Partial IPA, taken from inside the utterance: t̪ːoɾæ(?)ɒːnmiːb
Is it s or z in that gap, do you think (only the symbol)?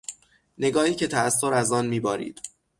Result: z